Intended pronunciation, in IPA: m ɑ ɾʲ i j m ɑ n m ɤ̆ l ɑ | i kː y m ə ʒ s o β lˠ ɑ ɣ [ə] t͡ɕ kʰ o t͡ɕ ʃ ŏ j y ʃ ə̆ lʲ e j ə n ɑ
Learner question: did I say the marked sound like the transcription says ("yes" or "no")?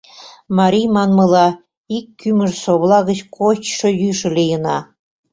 yes